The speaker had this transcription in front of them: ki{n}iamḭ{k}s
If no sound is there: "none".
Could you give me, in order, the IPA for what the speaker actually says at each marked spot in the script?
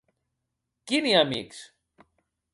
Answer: n, k

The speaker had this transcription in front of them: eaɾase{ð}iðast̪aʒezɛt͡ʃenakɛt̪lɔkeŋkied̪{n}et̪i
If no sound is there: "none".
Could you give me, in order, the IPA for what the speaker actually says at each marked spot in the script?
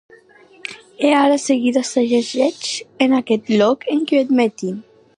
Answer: ɣ, m

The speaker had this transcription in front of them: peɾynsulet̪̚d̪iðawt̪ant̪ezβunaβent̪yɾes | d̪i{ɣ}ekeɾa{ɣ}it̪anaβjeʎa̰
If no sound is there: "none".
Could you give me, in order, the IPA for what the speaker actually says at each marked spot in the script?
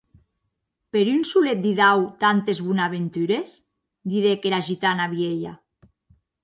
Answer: ð, ʒ

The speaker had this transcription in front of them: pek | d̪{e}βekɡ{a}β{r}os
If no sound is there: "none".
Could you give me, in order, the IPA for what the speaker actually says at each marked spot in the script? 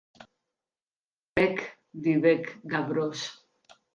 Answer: i, a, ɾ

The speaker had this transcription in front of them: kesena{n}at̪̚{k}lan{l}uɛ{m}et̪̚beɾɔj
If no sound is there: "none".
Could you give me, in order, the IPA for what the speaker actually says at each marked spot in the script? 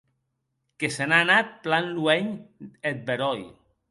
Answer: n, p, l, ɲ

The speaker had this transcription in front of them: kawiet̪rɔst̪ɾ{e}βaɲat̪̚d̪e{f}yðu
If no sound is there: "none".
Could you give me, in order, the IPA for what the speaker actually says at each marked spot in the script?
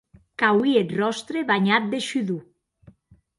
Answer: e, ʃ

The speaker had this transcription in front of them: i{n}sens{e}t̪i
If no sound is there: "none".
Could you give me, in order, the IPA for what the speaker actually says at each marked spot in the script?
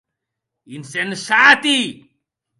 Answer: n, a

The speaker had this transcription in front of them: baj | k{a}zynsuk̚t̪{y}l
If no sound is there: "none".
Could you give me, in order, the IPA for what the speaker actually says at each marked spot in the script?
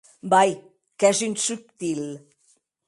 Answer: ɛ, i

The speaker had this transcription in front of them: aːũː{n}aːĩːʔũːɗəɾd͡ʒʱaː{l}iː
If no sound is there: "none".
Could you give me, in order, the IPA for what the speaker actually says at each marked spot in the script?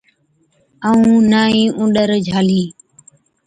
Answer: n, l

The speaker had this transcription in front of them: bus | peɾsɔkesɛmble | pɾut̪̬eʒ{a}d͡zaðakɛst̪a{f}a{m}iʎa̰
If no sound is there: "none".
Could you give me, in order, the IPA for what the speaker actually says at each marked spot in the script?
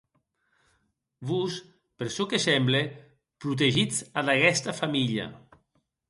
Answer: i, f, m

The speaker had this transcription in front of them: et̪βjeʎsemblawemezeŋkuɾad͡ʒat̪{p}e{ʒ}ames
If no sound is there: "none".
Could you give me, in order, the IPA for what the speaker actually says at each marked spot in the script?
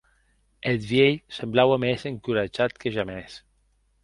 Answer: k, ʒ

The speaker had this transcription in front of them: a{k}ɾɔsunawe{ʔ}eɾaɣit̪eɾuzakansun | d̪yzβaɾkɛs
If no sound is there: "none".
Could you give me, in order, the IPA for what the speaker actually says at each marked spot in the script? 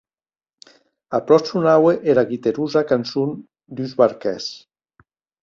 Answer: p, ʔ

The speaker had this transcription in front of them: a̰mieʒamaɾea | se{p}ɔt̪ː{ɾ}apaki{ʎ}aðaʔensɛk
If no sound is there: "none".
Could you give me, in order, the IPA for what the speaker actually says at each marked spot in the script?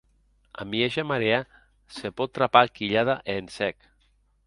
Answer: p, ɾ, ʎ

